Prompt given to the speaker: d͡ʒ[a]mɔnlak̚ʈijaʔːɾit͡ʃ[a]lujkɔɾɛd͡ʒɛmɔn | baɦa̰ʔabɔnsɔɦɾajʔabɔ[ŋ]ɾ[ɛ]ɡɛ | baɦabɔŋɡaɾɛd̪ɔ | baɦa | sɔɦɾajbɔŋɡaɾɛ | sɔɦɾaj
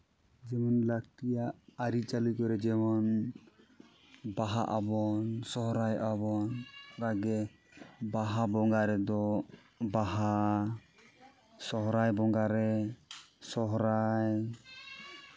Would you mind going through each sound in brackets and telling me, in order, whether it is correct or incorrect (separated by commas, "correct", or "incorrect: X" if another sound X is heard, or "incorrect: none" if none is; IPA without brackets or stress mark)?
incorrect: ɛ, correct, incorrect: n, incorrect: a